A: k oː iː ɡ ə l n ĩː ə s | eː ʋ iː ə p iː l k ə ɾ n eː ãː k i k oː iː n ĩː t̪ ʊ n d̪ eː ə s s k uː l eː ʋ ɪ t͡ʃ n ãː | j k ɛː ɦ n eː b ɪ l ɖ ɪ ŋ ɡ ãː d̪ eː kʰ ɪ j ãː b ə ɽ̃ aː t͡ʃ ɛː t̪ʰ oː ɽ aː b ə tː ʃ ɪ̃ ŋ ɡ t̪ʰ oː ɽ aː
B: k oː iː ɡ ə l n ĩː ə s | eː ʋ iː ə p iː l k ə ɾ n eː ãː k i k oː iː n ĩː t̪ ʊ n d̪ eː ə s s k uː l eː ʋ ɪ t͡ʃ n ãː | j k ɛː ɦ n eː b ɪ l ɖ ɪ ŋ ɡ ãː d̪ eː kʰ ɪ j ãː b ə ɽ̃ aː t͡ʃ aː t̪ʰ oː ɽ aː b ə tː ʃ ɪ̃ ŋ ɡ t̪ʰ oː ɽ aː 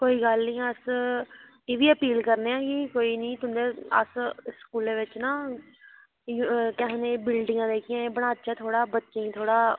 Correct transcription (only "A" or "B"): B